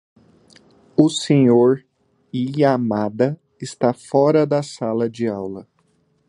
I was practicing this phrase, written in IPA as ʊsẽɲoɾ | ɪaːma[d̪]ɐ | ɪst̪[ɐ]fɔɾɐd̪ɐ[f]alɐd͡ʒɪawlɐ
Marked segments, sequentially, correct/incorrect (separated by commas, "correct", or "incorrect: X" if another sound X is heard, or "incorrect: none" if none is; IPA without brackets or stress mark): correct, incorrect: a, incorrect: s